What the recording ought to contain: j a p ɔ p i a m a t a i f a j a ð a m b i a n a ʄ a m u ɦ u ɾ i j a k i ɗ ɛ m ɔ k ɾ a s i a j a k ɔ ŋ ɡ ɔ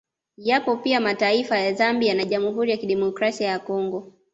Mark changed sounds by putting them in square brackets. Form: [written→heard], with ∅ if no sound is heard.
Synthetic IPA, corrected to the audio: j a p ɔ p i a m a t a i f a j a [ð→z] a m b i a n a ʄ a m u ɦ u ɾ i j a k i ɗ ɛ m ɔ k ɾ a s i a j a k ɔ ŋ ɡ ɔ